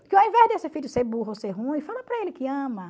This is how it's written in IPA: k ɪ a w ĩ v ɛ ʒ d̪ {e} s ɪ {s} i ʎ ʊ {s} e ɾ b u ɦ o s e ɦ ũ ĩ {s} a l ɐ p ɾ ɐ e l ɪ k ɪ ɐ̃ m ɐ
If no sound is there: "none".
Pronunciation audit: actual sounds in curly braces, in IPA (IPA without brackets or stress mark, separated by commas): e, f, s, f